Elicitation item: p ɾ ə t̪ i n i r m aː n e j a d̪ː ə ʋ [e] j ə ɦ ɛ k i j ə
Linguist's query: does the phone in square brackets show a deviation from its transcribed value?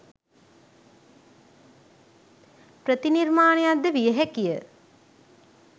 yes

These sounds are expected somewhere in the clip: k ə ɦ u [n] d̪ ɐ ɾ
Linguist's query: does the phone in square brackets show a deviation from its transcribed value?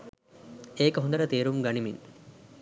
no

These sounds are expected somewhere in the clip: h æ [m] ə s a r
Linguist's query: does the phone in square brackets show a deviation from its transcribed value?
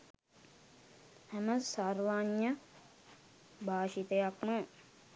no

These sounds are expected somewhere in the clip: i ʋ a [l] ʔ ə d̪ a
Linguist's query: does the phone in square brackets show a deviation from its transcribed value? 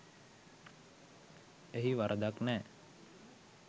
yes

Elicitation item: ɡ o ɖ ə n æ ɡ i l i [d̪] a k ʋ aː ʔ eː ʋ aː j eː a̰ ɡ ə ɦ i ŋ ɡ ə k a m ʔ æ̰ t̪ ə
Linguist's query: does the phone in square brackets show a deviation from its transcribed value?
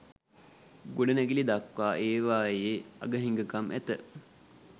no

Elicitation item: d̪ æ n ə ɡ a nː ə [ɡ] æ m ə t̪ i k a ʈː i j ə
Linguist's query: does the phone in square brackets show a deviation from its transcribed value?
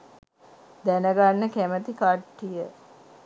yes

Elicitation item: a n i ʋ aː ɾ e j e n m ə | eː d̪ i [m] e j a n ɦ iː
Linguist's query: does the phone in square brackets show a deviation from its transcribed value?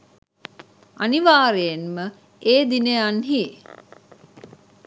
yes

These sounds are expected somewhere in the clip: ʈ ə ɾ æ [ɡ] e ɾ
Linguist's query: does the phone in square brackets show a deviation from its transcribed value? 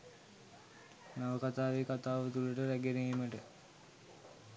no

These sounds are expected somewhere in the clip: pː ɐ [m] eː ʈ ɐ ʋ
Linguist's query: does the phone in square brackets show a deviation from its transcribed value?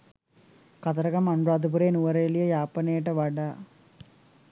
yes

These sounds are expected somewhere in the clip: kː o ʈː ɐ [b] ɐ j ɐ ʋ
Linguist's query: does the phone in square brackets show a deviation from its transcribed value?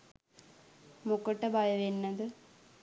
no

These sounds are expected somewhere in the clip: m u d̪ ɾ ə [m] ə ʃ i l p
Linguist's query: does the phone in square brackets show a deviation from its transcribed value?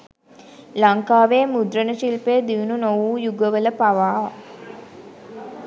yes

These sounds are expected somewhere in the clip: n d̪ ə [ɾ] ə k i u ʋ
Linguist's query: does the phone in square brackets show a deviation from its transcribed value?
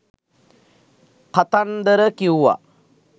no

